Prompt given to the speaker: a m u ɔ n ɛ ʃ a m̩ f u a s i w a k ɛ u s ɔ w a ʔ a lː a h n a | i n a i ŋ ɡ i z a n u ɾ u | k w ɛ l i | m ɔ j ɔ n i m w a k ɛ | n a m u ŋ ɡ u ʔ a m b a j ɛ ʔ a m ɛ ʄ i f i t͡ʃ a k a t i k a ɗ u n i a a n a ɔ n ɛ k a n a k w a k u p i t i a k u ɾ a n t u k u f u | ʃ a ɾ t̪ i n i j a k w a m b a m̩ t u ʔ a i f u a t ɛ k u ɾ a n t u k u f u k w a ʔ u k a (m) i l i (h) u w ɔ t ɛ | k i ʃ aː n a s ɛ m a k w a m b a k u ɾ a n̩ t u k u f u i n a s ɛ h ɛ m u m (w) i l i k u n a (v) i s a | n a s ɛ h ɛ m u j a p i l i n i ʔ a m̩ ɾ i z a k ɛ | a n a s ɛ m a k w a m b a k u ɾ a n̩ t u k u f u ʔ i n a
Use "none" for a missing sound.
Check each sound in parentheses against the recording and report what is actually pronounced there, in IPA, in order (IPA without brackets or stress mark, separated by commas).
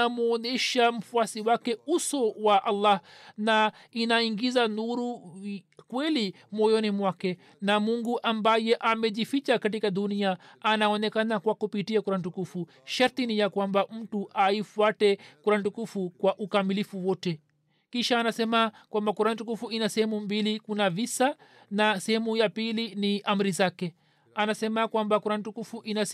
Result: m, f, b, v